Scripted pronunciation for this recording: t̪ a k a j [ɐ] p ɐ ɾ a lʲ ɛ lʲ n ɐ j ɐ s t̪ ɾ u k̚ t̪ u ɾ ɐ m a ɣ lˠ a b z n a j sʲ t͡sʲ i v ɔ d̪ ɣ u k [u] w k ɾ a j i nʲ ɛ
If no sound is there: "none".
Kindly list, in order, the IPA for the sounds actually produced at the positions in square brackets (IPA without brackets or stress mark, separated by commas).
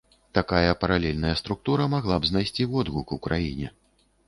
ɐ, u